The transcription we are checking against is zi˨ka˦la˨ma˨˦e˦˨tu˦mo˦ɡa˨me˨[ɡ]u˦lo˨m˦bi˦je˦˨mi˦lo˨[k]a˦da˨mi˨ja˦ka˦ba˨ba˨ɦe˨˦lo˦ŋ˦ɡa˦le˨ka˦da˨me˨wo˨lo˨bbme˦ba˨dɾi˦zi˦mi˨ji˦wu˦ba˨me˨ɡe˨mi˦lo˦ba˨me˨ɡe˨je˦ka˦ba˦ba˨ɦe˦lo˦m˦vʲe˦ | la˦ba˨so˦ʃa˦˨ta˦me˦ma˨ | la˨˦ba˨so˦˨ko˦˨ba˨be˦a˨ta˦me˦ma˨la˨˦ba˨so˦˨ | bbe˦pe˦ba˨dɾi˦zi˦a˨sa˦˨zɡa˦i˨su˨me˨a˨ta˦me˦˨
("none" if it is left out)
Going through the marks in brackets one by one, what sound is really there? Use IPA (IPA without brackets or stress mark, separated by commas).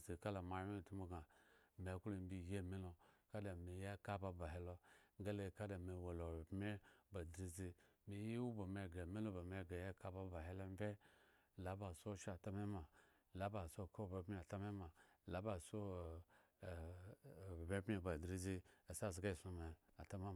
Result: k, k